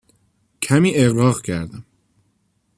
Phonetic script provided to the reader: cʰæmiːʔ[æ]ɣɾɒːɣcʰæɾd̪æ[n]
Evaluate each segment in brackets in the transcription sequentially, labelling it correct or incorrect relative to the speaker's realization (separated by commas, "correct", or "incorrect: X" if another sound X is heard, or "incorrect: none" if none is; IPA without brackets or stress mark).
incorrect: e, incorrect: m